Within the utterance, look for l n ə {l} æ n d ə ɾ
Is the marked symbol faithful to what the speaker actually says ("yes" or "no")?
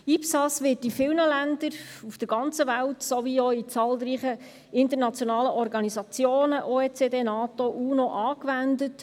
yes